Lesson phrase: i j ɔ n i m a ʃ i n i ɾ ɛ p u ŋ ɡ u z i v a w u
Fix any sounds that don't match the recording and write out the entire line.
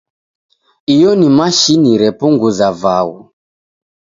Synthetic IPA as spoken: i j ɔ n i m a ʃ i n i ɾ ɛ p u ŋ ɡ u z a v a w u